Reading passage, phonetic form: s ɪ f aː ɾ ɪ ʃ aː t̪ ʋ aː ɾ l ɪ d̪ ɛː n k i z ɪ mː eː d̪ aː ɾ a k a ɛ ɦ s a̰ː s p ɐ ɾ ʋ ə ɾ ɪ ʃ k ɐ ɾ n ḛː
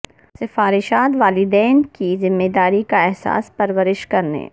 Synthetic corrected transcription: s ɪ f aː ɾ ɪ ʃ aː t̪ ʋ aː l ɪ d̪ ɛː n k i z ɪ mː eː d̪ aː ɾ i k a ɛ ɦ s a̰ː s p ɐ ɾ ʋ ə ɾ ɪ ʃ k ɐ ɾ n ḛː